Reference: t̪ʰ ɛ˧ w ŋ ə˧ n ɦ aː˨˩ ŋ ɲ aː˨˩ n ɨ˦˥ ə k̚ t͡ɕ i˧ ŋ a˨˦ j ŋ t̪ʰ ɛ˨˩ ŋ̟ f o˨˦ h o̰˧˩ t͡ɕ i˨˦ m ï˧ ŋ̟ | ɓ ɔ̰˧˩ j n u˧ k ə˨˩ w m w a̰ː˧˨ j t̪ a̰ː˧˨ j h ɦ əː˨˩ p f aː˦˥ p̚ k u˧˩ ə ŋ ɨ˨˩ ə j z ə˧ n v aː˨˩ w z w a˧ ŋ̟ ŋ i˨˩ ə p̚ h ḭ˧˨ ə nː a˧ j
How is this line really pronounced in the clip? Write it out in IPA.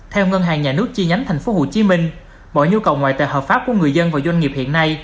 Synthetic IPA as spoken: t̪ʰ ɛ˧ w ŋ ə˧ n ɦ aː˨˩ ŋ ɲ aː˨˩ n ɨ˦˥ ə k̚ t͡ɕ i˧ ɲ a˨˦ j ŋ t̪ʰ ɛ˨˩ ŋ̟ f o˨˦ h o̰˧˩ t͡ɕ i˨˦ m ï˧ ŋ̟ | ɓ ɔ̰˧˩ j ɲ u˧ k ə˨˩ w ŋ w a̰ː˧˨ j t̪ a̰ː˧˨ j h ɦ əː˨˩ p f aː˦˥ p̚ k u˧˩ ə ŋ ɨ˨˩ ə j z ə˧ n v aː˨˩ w z w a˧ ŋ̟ ŋ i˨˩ ə p̚ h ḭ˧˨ ə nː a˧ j